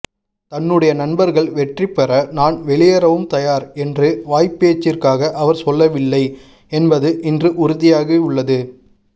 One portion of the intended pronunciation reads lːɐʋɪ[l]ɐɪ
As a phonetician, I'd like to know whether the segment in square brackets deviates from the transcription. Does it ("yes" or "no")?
yes